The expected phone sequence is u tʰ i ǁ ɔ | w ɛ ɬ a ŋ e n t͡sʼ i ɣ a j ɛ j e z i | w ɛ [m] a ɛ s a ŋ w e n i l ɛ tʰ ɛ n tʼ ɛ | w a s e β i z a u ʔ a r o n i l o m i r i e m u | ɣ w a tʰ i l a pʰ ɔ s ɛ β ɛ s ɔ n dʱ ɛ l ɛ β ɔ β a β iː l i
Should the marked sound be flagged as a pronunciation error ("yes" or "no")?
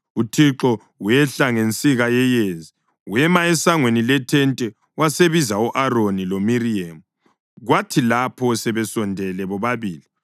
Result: no